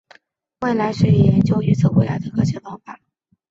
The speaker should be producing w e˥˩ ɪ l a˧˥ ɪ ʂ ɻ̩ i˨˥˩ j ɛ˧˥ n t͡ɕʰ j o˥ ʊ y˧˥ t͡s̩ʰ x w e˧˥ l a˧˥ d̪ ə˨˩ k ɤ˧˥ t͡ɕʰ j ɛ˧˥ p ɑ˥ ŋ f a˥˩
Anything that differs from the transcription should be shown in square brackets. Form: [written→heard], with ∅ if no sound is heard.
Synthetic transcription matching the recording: w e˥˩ ɪ l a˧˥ ɪ ʂ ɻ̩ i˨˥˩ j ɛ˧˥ n [t͡ɕʰ→t͡ɕ] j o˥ ʊ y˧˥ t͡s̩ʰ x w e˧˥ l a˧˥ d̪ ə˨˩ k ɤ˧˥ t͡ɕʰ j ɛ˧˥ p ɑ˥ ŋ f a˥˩

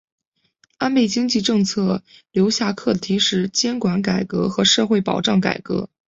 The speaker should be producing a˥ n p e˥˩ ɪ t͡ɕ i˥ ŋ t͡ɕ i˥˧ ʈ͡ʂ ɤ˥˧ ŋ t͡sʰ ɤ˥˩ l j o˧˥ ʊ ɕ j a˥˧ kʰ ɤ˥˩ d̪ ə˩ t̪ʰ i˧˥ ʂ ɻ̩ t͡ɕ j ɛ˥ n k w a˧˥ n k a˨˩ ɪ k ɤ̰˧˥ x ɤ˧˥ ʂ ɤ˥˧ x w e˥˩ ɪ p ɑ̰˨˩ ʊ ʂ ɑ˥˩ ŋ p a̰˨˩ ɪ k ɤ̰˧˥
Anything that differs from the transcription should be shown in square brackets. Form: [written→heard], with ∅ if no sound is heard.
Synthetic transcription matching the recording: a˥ n p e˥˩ ɪ t͡ɕ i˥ ŋ t͡ɕ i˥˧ ʈ͡ʂ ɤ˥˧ ŋ t͡sʰ ɤ˥˩ l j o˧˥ ʊ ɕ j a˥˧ kʰ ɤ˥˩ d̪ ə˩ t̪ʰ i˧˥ ʂ ɻ̩ t͡ɕ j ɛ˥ n k w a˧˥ n k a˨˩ ɪ k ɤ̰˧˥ x ɤ˧˥ ʂ ɤ˥˧ x w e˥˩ ɪ p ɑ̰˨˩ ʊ [ʂ→ʈ͡ʂ] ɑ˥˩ ŋ [p→k] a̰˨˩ ɪ k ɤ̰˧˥

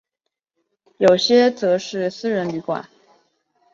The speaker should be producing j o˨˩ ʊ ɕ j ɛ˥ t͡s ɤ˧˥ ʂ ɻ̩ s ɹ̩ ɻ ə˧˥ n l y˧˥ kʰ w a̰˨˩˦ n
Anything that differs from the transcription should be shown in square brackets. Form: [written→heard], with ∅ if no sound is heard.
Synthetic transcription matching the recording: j o˨˩ ʊ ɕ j ɛ˥ t͡s ɤ˧˥ ʂ ɻ̩ s ɹ̩ ɻ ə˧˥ n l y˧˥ [kʰ→k] w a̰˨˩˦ n

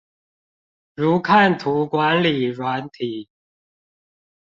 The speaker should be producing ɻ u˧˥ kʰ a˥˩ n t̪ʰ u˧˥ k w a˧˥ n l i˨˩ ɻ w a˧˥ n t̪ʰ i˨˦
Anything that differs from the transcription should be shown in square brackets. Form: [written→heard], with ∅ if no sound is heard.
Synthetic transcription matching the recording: ɻ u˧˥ kʰ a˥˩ n t̪ʰ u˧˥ k w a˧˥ n l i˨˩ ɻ w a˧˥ n t̪ʰ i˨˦

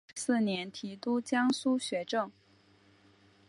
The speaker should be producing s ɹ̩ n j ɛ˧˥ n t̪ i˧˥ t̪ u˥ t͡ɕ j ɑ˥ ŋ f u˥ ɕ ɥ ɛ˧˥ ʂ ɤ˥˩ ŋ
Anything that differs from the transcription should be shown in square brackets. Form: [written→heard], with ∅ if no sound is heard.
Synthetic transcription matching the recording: s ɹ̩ n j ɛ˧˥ n [t̪→t̪ʰ] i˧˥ t̪ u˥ t͡ɕ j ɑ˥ ŋ [f→s] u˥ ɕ ɥ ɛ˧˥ [ʂ→ʈ͡ʂ] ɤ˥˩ ŋ

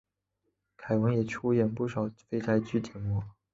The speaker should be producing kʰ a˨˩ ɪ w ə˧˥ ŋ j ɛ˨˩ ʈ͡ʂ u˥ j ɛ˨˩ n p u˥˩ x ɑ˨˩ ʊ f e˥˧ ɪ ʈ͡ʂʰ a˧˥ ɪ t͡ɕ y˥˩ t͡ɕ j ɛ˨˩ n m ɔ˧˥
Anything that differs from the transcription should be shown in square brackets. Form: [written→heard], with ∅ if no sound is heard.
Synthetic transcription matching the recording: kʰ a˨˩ ɪ w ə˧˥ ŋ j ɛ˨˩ [ʈ͡ʂ→ʈ͡ʂʰ] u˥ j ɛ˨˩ n p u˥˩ [x→ʂ] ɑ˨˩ ʊ f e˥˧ ɪ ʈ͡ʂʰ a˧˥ ɪ t͡ɕ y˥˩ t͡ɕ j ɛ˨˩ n m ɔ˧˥

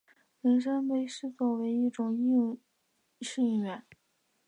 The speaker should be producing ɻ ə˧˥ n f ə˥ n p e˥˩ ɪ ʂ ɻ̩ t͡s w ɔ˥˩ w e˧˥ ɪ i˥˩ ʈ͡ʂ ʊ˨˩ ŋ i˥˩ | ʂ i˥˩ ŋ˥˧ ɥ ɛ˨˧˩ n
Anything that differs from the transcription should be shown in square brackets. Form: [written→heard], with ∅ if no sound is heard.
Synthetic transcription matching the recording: ɻ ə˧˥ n [f→ʂ] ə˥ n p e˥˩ ɪ ʂ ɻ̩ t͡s w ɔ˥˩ w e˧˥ ɪ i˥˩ ʈ͡ʂ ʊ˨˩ ŋ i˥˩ | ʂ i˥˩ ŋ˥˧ ɥ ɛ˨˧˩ n

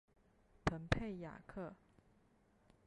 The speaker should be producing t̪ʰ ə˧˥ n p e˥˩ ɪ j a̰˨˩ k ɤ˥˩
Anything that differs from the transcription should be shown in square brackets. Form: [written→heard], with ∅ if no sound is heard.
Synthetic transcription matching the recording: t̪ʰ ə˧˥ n [p→pʰ] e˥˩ ɪ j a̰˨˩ [k→kʰ] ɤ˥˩

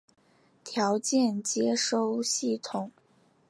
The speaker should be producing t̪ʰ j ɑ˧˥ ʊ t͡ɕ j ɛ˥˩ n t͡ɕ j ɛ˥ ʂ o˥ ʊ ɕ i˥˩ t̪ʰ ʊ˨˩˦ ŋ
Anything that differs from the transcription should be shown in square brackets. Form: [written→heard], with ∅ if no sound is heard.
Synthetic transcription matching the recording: t̪ʰ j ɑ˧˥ ʊ t͡ɕ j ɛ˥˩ n t͡ɕ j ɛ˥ ʂ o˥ ʊ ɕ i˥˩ t̪ʰ ʊ˨˩˦ ŋ

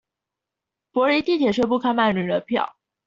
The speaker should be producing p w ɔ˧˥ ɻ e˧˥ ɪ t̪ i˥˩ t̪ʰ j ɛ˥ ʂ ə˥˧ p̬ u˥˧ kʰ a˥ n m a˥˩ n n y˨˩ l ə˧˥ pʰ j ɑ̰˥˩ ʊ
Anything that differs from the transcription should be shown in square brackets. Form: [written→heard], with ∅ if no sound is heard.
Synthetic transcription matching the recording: p w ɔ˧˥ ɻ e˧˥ ɪ t̪ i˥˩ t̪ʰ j [ɛ˥→ɛ˨˩] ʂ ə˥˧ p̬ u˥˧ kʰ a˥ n m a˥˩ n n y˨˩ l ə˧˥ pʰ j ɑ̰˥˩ ʊ

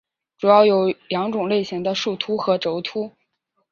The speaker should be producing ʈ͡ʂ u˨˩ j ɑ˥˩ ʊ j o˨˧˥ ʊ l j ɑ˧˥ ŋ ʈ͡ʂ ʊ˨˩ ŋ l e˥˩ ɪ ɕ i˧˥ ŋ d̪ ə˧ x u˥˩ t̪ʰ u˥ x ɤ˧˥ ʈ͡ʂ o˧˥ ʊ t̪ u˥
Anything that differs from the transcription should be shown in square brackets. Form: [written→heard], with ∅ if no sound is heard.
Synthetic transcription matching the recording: ʈ͡ʂ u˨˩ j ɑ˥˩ ʊ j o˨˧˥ ʊ l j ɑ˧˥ ŋ ʈ͡ʂ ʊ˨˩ ŋ l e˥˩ ɪ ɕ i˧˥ ŋ d̪ ə˧ [x→ʂ] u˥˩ t̪ʰ u˥ x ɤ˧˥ ʈ͡ʂ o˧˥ ʊ [t̪→t̪ʰ] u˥

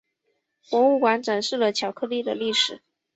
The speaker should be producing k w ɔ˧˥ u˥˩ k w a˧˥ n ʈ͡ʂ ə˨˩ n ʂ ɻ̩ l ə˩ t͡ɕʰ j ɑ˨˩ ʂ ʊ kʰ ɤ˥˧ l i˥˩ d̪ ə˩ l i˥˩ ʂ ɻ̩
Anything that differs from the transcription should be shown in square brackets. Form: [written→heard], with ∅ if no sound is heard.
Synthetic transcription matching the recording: k w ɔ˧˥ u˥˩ k w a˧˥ n ʈ͡ʂ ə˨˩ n ʂ ɻ̩ l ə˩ t͡ɕʰ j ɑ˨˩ [ʂ→∅] ʊ kʰ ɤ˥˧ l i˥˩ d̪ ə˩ l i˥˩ ʂ ɻ̩

